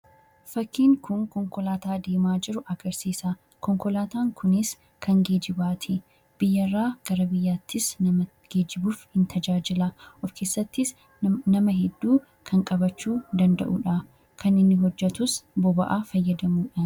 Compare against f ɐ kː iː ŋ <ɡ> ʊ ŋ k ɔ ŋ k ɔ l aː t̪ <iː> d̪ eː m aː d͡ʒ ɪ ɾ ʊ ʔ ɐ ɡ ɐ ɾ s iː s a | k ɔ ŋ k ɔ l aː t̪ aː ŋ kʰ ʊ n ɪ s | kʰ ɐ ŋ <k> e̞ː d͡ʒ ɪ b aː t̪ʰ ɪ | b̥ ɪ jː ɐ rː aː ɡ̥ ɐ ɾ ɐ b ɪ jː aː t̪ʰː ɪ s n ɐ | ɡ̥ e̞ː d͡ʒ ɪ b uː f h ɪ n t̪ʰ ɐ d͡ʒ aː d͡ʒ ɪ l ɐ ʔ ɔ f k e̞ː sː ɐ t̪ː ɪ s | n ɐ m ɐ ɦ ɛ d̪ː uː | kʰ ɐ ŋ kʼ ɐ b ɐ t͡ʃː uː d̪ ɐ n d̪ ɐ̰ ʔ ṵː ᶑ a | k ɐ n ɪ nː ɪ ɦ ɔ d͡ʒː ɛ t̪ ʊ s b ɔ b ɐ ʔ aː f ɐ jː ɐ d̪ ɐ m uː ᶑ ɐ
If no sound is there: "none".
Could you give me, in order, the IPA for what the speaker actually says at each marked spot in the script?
k, aː, ɡ

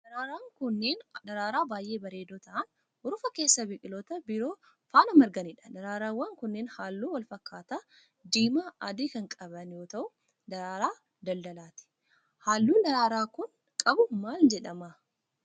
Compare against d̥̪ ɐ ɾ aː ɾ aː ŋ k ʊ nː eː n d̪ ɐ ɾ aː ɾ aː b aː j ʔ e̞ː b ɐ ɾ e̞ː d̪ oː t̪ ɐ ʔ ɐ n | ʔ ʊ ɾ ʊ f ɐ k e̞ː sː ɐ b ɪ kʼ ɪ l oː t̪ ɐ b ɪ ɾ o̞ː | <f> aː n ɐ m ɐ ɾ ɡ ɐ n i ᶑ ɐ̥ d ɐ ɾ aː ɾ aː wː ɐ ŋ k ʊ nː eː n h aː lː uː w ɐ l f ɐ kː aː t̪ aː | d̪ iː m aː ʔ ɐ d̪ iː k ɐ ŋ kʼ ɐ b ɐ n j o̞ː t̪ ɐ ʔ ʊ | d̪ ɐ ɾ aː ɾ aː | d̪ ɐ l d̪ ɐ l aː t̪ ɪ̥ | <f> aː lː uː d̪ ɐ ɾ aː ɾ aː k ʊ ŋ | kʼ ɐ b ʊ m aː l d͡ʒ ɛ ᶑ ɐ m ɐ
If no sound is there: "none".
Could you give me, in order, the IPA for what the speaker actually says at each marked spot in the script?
f, h

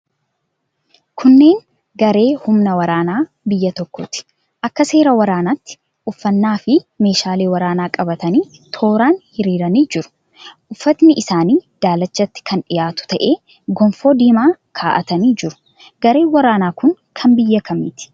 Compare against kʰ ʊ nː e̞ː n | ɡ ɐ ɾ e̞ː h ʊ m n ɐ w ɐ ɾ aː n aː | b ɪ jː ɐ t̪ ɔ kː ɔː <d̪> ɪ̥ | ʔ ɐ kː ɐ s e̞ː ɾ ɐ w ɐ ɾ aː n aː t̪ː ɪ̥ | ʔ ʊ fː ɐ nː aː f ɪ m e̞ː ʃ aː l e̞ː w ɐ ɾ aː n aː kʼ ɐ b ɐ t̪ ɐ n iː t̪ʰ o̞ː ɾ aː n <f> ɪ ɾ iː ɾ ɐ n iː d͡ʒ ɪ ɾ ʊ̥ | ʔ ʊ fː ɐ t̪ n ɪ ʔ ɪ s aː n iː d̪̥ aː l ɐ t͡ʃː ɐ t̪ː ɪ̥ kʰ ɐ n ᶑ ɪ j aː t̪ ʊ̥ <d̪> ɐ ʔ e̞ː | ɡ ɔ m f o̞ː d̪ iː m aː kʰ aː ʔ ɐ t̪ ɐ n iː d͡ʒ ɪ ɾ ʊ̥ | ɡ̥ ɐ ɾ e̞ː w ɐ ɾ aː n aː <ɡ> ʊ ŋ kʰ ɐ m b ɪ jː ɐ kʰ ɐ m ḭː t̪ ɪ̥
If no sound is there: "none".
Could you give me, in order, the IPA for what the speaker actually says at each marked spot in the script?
t̪, h, t̪, k

